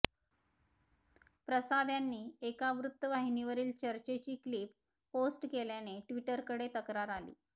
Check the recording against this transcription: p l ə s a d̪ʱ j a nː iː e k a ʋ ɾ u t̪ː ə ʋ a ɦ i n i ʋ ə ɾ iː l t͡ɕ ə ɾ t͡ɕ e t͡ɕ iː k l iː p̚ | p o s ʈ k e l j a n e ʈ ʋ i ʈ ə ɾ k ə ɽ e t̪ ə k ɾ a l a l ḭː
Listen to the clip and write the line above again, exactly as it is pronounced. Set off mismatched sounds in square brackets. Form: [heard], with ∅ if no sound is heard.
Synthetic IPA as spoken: p [ɾ] ə s a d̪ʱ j a nː iː e k a ʋ ɾ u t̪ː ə ʋ a ɦ i n i ʋ ə ɾ iː l t͡ɕ ə ɾ t͡ɕ e t͡ɕ iː k l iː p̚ | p o s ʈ k e l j a n e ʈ ʋ i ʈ ə ɾ k ə ɽ e t̪ ə k ɾ a [ɾ] a l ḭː